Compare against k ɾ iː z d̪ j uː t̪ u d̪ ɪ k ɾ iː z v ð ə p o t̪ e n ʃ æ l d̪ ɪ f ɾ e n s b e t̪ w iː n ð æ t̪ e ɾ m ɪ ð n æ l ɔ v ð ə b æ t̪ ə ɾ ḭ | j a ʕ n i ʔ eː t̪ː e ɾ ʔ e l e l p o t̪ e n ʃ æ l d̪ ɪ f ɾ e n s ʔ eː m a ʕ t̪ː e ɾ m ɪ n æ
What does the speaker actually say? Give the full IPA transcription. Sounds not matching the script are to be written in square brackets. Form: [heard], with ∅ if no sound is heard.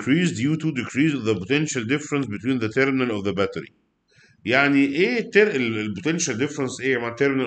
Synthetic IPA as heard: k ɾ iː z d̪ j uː t̪ u d̪ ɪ k ɾ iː z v ð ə p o t̪ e n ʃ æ l d̪ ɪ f ɾ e n s b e t̪ w iː n ð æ t̪ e ɾ m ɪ [∅] n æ l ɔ v ð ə b æ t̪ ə ɾ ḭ | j a ʕ n i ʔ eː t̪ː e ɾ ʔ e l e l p o t̪ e n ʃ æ l d̪ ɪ f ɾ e n s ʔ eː m a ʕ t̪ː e ɾ m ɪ n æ